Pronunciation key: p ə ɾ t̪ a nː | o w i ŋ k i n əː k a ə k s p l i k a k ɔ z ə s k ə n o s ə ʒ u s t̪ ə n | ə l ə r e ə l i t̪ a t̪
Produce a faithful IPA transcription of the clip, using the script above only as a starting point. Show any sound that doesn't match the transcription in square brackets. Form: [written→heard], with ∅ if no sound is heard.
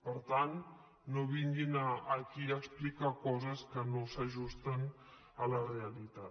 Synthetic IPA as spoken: p ə ɾ t̪ a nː | o [w→β] i ŋ [k→ɡ] i n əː k [a→i] ə k s p l i k a k ɔ z ə s k ə n o s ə ʒ u s t̪ ə n | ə l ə r e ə l i t̪ a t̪